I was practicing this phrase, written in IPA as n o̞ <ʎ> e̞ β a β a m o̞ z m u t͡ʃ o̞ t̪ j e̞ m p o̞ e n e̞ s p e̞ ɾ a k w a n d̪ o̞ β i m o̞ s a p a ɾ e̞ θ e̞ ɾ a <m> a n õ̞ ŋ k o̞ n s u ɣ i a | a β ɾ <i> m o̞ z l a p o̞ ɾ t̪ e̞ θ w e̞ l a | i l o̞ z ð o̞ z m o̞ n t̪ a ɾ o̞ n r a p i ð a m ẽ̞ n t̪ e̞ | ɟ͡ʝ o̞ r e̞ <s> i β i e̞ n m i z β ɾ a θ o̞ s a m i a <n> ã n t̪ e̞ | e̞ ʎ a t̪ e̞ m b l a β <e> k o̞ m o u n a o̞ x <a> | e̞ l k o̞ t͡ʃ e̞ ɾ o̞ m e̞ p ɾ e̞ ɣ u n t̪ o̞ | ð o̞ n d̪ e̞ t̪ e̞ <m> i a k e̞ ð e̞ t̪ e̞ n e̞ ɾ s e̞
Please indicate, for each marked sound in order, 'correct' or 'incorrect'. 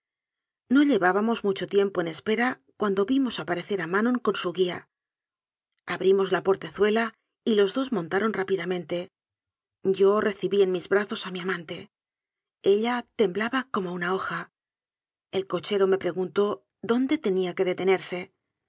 correct, correct, correct, incorrect, incorrect, incorrect, correct, incorrect

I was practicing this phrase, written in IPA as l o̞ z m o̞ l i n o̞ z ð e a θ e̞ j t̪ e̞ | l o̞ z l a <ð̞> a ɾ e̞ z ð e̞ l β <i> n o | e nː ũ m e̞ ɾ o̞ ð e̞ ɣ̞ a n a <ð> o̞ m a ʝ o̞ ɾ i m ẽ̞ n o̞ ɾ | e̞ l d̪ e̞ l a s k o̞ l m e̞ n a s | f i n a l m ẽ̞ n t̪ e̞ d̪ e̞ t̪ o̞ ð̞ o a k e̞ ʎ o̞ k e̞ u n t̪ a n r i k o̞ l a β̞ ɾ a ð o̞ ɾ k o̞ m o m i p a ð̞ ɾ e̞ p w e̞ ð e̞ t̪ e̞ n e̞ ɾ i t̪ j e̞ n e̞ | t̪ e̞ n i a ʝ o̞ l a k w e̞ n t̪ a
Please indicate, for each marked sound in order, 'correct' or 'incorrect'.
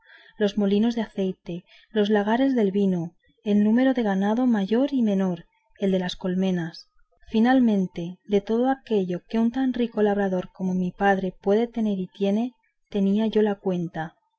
incorrect, correct, correct

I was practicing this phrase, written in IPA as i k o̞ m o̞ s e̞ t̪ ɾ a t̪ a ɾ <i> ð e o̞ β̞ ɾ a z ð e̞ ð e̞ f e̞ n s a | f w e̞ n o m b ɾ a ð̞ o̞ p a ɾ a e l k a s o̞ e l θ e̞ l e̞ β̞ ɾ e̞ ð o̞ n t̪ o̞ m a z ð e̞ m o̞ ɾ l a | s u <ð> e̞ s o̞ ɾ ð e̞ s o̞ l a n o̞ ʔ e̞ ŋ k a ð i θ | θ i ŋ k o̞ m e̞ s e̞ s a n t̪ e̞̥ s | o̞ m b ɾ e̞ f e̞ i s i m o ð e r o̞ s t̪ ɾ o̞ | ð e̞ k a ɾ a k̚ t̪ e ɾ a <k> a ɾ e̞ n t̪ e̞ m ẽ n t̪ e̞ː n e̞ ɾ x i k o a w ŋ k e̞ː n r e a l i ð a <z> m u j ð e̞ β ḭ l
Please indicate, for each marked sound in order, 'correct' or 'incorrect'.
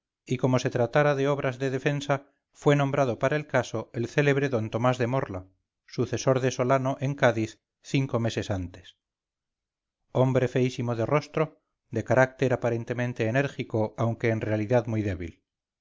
incorrect, incorrect, incorrect, incorrect

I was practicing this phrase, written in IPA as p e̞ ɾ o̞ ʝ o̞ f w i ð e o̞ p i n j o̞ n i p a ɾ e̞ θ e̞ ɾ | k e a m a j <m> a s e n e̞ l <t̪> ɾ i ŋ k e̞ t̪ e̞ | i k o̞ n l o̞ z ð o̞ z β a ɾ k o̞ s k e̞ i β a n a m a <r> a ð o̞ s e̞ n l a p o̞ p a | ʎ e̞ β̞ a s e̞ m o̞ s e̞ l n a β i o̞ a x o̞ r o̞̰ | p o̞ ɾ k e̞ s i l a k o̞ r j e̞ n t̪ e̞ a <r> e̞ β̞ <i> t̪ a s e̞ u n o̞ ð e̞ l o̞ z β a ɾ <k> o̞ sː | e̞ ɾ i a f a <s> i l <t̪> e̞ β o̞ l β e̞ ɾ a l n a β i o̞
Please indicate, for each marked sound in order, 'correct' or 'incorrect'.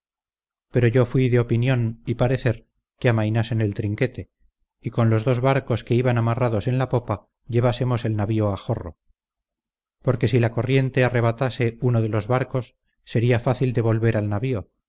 incorrect, correct, correct, correct, incorrect, correct, incorrect, incorrect

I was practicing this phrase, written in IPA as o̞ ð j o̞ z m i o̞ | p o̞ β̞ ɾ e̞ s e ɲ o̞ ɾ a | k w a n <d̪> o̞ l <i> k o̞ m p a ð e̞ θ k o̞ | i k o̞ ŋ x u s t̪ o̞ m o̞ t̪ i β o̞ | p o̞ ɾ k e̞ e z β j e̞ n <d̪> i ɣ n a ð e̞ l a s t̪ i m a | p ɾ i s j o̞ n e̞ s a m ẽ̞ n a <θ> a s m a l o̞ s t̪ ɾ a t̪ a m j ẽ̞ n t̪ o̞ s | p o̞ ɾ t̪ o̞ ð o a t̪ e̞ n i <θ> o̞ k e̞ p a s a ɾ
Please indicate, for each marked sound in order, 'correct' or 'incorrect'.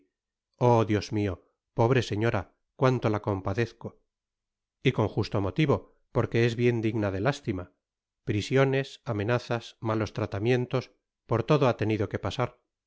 incorrect, incorrect, correct, correct, incorrect

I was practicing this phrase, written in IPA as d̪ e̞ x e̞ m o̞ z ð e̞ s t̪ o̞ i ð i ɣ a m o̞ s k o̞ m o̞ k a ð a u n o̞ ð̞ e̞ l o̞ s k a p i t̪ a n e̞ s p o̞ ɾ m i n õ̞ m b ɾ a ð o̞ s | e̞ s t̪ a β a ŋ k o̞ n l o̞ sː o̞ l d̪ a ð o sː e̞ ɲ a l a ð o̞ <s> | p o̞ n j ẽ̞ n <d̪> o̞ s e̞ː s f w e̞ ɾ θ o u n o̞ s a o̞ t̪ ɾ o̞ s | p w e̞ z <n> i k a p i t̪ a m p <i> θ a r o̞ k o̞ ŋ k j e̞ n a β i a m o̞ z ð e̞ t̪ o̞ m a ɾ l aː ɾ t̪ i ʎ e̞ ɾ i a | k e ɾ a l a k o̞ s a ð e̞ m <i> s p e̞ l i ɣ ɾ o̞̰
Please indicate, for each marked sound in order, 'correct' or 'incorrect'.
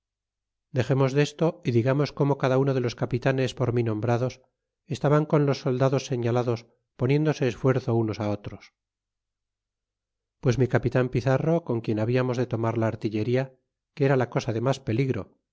correct, correct, incorrect, correct, incorrect

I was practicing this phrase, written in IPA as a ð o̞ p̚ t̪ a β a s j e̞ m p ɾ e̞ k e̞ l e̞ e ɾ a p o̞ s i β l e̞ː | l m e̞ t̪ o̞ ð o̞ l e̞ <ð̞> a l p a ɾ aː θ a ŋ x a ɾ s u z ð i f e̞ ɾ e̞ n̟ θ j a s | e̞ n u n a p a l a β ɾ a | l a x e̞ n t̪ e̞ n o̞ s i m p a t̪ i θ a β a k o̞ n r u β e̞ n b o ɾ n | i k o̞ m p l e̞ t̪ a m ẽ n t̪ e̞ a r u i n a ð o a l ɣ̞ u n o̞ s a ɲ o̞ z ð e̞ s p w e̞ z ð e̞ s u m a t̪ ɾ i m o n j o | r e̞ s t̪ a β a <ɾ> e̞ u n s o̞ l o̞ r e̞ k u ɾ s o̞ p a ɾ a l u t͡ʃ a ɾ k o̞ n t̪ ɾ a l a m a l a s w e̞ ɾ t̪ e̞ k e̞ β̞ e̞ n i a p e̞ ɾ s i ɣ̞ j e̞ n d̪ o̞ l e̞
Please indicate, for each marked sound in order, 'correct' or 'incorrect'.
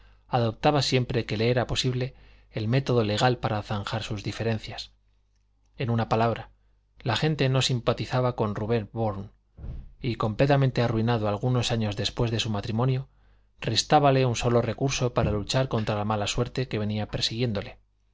incorrect, incorrect

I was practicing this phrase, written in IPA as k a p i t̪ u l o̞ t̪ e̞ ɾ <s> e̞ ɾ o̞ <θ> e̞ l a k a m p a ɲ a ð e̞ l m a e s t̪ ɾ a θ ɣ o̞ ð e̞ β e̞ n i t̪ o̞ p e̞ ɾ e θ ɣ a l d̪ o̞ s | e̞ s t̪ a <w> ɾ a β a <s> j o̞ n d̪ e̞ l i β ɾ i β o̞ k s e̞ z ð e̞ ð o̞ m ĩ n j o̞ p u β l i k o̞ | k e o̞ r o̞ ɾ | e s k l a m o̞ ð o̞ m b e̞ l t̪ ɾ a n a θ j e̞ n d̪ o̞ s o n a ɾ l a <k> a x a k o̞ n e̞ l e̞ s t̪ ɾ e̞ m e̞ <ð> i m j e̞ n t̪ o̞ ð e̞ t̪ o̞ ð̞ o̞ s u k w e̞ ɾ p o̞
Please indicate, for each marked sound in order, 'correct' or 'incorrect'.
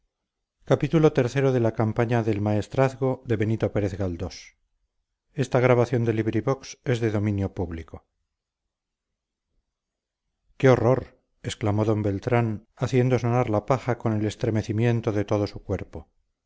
incorrect, incorrect, incorrect, incorrect, incorrect, incorrect

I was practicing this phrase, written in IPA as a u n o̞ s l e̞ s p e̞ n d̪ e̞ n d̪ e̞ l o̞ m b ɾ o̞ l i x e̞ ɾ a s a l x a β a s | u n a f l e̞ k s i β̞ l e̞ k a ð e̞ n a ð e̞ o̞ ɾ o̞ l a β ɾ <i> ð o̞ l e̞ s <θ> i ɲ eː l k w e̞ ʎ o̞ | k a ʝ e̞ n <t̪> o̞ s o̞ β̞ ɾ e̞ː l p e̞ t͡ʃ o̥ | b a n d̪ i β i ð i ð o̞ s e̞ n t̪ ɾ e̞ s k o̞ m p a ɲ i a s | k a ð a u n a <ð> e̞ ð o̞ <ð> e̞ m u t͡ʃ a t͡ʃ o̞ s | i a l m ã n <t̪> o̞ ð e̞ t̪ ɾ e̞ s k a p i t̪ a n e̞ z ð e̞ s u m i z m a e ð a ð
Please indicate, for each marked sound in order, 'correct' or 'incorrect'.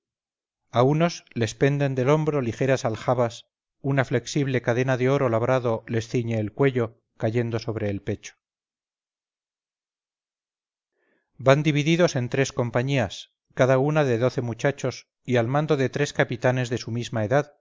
incorrect, correct, incorrect, correct, incorrect, incorrect

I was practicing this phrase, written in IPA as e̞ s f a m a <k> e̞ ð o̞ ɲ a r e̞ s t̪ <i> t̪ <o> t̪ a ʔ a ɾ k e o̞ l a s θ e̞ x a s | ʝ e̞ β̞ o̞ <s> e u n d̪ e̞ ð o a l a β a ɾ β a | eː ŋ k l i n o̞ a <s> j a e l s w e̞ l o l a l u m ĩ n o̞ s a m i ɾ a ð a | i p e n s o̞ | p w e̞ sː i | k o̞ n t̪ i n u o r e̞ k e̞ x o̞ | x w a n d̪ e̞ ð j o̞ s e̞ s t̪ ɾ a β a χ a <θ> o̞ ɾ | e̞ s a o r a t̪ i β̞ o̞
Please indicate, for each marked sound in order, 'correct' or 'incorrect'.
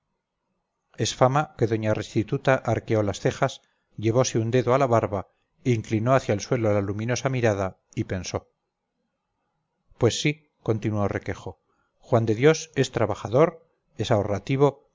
correct, correct, incorrect, correct, incorrect, incorrect

